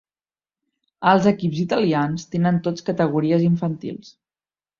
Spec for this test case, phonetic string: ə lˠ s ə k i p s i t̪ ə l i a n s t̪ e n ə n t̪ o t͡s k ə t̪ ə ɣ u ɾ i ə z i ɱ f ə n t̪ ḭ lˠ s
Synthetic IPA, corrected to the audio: ə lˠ z ə k i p z i t̪ ə l i a n s t̪ e n ə n t̪ o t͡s k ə t̪ ə ɣ u ɾ i ə z i ɱ f ə n t̪ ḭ lˠ s

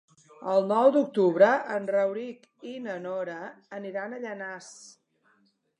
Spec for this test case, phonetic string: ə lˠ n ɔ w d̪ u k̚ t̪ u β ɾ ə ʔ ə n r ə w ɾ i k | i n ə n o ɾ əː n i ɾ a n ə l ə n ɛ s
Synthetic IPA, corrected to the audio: ə lˠ n ɔ w d̪ u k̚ t̪ u β ɾ ə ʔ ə n r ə w ɾ i k | i n ə n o ɾ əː n i ɾ a n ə ʎ ə n a s

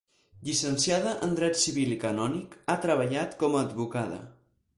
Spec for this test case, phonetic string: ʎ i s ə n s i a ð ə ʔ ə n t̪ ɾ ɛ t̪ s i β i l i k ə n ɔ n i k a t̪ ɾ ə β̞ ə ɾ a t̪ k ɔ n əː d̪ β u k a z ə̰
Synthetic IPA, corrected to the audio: ʎ i s ə n s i a ð ə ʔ ə n d̪ ɾ ɛ t̪ s i β i l i k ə n ɔ n i k a t̪ ɾ ə β̞ ə ʎ a t̪ k ɔ m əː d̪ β u k a ð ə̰

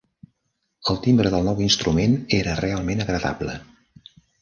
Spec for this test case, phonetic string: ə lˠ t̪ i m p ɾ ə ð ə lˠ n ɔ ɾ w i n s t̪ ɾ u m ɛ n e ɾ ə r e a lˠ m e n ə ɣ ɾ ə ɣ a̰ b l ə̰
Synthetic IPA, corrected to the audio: ə lˠ t̪ i m b ɾ ə ð ə lˠ n ɔ w i n s t̪ ɾ u m e n e ɾ ə r e a lˠ m e n ə ɣ ɾ ə ð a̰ b l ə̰

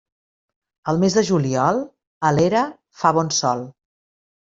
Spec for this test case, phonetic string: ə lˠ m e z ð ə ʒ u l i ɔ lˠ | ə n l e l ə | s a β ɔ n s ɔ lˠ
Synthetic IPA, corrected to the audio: ə lˠ m e z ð ə ʒ u l i ɔ lˠ | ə l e ɾ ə | f a β ɔ n s ɔ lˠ

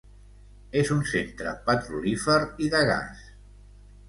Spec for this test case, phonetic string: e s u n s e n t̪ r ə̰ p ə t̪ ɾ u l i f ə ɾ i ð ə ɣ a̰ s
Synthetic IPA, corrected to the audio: e z u n s e n t̪ ɾ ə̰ p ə t̪ ɾ u l i f ə ɾ i ð ə ɣ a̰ s

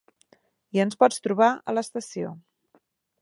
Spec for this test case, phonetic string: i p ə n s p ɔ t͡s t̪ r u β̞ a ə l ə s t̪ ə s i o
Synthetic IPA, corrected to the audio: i ə n s p ɔ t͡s t̪ ɾ u β̞ a ə l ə s t̪ ə s i o

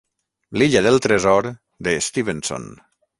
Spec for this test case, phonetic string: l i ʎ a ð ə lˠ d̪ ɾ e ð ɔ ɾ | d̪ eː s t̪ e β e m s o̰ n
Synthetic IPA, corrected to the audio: l i ʎ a ð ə lˠ t̪ ɾ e z ɔ ɾ | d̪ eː s t̪ i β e n s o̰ n

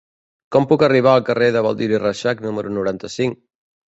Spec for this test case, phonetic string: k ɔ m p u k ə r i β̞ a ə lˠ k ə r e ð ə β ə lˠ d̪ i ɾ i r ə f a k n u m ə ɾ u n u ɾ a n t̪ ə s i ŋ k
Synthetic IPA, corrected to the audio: k ɔ m p u k ə r i β̞ a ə lˠ k ə r e ð ə β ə lˠ d̪ i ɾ i r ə ʃ a k n u m ə ɾ u n u ɾ a n t̪ ə s i ŋ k

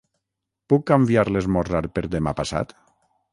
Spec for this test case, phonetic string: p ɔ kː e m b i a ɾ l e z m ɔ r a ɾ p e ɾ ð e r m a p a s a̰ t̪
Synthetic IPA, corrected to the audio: p u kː a m b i a ɾ l e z m ɔ r a ɾ p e ɾ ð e m a p a s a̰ t̪

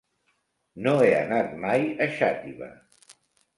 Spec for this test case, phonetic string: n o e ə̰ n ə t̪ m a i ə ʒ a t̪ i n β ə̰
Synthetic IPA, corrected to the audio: n o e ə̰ n a t̪ m a j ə ʃ a t̪ i β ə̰

